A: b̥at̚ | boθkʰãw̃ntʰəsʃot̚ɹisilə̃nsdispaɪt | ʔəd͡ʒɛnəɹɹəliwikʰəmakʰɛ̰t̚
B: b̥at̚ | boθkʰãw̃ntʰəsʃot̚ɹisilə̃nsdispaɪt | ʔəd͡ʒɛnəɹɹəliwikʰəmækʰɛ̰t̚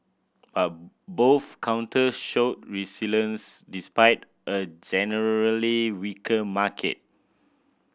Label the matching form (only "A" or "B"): A